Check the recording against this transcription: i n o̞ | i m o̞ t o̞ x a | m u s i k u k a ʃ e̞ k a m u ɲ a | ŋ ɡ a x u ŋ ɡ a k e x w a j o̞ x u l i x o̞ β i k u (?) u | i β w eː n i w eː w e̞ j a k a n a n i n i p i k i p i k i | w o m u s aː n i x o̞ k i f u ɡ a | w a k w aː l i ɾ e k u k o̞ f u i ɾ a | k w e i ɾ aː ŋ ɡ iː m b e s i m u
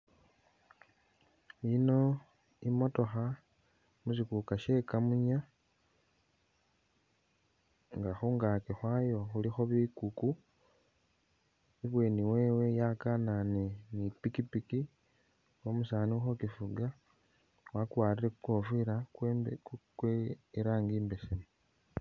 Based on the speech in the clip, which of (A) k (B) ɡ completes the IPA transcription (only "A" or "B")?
A